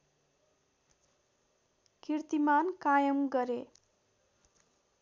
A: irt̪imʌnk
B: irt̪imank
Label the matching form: B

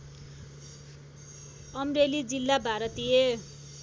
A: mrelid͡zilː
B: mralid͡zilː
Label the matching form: A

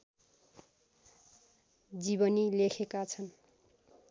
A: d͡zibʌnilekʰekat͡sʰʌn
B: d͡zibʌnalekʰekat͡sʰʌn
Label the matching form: A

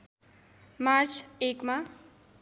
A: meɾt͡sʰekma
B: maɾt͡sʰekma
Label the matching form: B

